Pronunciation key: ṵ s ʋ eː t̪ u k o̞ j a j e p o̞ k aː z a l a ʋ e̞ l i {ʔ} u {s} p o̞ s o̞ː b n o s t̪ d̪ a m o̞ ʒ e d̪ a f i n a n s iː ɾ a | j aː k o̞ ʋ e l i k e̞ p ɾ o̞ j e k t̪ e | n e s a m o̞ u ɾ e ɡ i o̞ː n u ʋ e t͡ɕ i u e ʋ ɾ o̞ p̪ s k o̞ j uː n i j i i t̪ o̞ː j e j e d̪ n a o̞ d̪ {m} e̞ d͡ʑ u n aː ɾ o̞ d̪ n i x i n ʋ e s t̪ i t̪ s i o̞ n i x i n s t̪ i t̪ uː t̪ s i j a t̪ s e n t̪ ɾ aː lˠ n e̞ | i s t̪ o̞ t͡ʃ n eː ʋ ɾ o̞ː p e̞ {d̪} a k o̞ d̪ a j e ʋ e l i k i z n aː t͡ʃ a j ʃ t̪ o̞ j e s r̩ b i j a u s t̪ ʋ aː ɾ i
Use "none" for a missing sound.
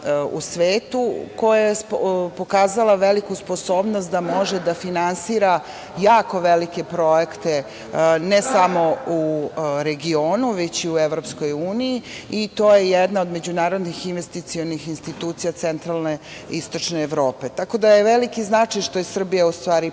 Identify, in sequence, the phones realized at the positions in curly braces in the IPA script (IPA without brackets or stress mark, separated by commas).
k, s, m, t̪